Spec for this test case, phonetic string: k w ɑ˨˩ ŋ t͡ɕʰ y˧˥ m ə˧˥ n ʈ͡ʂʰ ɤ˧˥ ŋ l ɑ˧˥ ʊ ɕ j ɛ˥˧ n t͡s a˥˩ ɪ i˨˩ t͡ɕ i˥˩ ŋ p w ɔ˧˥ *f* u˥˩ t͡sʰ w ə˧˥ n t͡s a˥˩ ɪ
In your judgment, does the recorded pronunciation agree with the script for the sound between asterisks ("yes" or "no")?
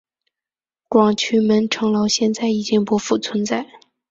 yes